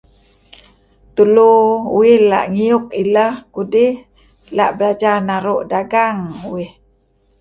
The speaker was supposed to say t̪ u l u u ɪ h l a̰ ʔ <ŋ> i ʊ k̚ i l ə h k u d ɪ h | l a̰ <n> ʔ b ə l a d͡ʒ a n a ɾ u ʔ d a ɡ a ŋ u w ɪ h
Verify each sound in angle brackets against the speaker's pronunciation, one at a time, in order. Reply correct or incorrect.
correct, incorrect: none

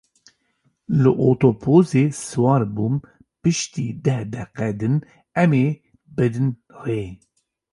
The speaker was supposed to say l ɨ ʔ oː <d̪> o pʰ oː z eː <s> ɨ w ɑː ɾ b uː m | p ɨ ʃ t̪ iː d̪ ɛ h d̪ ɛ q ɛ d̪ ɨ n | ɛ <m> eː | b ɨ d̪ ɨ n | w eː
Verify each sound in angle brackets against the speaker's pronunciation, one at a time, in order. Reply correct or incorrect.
incorrect: t̪, correct, correct

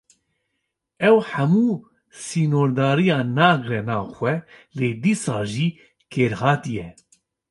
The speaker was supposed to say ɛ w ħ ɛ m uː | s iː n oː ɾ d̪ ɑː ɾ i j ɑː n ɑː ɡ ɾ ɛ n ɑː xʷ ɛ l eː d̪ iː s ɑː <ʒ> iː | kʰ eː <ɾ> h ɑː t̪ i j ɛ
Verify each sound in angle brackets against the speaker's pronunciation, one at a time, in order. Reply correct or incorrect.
correct, correct

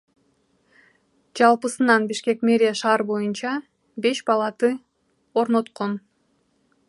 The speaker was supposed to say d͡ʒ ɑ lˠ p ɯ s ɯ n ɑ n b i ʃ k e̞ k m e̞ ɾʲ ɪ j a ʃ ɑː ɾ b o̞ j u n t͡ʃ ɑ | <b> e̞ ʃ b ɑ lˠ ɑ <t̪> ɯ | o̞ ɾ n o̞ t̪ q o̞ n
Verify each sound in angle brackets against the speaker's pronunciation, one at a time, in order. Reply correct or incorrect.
correct, correct

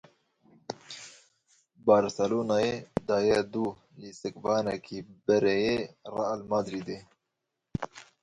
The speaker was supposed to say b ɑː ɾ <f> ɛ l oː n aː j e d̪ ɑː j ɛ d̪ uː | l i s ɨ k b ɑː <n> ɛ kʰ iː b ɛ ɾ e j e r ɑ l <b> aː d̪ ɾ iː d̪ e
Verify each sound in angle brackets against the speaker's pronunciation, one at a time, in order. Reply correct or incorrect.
incorrect: s, correct, incorrect: m

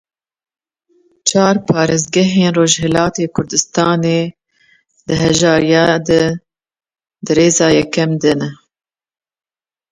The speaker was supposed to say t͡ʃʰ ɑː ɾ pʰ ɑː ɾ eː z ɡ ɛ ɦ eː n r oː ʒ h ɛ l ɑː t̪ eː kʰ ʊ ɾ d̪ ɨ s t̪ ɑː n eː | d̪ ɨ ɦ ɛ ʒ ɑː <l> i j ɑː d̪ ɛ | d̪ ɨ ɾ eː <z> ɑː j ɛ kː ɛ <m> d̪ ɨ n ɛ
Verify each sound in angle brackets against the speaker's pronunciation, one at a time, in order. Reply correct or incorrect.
incorrect: ɾ, correct, correct

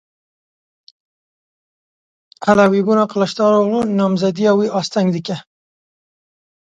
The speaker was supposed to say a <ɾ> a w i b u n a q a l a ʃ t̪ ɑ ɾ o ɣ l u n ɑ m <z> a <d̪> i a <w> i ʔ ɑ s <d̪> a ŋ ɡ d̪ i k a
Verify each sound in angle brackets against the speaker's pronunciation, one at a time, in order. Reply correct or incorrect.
incorrect: l, correct, correct, correct, incorrect: t̪

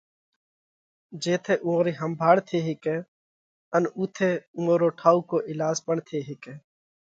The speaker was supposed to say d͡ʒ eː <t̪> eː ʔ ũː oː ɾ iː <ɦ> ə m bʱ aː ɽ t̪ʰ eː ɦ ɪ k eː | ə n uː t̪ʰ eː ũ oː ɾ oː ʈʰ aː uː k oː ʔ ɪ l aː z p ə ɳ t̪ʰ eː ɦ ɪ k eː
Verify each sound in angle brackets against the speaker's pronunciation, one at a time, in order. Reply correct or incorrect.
incorrect: t̪ʰ, correct

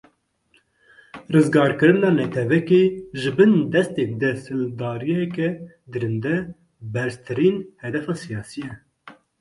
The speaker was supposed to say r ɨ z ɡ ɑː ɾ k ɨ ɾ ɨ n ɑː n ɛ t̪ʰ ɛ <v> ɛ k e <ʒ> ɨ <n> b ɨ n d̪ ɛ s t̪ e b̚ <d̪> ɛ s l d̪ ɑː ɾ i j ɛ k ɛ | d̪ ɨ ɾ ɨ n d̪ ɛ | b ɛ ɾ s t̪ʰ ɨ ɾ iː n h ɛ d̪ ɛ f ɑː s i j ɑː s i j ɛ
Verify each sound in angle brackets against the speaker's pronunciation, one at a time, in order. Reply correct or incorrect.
correct, correct, incorrect: none, correct

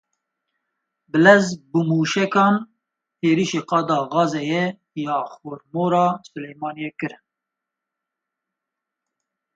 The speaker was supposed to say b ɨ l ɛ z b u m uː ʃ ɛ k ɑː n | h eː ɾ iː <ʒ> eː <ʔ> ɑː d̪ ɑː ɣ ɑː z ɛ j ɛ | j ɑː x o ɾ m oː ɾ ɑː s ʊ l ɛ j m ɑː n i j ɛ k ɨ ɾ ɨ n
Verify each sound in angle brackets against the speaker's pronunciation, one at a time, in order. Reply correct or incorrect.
incorrect: ʃ, incorrect: q

